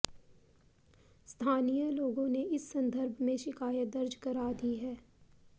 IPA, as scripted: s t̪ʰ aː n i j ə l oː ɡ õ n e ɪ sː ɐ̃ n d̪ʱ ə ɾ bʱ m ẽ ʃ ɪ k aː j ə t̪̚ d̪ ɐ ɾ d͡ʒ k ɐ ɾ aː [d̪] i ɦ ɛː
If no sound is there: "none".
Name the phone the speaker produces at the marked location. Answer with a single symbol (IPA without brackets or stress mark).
d̪